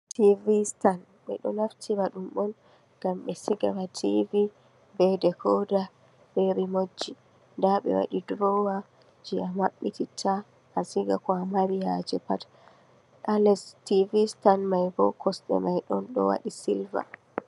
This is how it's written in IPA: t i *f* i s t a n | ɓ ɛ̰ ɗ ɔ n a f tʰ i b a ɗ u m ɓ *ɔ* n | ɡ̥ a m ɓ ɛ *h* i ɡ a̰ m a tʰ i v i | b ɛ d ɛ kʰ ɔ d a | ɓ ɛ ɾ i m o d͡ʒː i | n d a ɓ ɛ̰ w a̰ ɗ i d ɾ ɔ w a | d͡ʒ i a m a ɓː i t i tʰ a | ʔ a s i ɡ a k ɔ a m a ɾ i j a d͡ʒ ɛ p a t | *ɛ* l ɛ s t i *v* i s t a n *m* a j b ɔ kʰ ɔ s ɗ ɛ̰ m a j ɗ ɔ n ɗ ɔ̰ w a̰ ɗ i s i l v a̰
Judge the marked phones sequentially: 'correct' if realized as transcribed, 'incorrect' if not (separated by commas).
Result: incorrect, correct, incorrect, incorrect, correct, correct